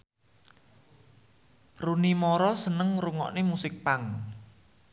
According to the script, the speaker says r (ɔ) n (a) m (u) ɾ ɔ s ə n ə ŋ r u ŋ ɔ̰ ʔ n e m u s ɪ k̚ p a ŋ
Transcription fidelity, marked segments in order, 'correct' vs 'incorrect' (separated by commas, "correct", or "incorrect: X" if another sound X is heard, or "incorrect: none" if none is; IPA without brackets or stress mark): incorrect: u, incorrect: i, incorrect: ɔ